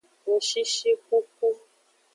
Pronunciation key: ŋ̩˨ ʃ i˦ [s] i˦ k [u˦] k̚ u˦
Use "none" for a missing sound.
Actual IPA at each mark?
ʃ, u˦

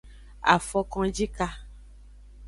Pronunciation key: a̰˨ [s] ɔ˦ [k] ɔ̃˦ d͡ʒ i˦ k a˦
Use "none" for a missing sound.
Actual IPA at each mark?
f, k

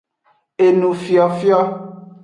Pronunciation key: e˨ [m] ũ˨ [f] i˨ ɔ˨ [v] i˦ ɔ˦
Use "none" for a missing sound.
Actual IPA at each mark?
n, f, f

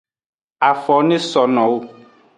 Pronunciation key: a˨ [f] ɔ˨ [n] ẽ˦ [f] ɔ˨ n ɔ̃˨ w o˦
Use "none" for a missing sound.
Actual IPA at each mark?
f, n, s

